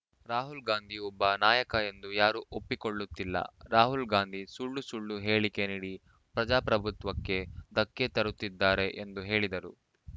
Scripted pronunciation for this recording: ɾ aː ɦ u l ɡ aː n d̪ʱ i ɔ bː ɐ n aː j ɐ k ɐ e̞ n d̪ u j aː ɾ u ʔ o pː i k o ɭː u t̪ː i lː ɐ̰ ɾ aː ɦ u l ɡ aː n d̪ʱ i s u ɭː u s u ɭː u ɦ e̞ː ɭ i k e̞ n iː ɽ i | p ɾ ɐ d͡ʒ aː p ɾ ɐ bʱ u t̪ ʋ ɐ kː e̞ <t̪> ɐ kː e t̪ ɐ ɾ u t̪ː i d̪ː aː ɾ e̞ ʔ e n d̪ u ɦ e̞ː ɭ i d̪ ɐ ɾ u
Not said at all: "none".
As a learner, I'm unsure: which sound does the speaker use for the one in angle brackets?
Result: d̪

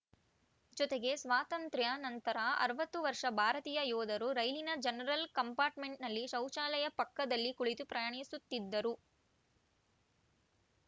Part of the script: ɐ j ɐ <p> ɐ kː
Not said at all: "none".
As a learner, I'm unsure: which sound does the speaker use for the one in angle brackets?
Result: p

